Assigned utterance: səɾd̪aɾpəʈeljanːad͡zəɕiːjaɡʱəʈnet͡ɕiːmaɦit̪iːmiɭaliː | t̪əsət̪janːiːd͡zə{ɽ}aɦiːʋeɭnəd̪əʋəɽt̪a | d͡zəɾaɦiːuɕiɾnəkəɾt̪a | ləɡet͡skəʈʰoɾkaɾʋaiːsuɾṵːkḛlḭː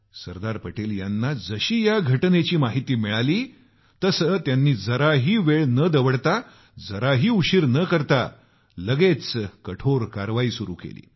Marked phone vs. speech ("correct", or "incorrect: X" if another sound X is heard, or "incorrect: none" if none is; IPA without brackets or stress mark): incorrect: ɾ